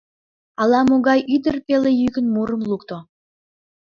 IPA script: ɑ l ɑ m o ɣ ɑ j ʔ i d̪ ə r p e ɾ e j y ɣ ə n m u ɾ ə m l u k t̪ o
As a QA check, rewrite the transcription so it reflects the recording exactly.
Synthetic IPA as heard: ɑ l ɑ m o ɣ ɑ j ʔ y d̪ ə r p e l e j y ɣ ə n m u ɾ ə m l u k t̪ o